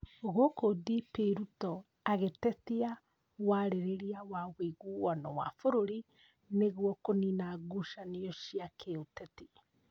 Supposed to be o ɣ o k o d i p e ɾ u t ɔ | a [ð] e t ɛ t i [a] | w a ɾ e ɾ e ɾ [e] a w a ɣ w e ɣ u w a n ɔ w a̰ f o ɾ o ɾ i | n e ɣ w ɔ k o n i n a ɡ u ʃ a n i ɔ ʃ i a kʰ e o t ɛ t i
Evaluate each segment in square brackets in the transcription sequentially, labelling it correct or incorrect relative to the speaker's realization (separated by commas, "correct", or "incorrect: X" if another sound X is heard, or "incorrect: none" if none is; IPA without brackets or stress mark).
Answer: incorrect: ɣ, correct, incorrect: i